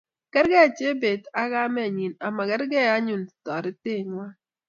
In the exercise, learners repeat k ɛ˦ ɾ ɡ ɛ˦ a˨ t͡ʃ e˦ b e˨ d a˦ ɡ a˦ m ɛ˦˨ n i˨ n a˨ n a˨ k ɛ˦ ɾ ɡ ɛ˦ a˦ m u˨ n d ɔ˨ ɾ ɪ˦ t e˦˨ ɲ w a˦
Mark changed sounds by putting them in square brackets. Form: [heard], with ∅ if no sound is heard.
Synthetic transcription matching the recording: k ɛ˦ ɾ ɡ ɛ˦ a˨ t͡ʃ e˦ b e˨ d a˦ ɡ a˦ m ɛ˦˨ [ɲ] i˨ n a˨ [m] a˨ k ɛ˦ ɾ ɡ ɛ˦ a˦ [ɲ] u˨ n [t] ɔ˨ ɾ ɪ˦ t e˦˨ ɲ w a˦